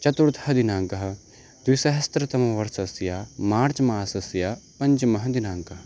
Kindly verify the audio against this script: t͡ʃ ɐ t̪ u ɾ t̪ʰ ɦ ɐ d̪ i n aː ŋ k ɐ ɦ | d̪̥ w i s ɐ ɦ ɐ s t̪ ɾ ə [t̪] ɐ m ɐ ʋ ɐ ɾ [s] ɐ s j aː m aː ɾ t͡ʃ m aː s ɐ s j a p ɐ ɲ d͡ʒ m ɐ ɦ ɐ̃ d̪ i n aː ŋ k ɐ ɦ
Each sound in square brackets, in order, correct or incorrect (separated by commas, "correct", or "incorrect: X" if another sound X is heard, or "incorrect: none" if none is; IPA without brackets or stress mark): correct, correct